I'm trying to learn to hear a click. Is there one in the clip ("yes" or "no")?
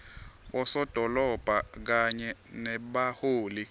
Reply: no